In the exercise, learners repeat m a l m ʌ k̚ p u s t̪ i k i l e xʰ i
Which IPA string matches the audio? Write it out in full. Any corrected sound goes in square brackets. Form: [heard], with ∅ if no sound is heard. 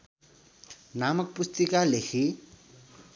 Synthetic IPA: [n] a [∅] m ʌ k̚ p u s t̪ i k [a] l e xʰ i